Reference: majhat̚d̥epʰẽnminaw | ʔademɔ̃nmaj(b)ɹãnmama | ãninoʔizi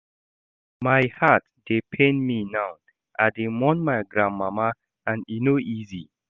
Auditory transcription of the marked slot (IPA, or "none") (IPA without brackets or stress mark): ɡ